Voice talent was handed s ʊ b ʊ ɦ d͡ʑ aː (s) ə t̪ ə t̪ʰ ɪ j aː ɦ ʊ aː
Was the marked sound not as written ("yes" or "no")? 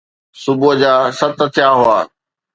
no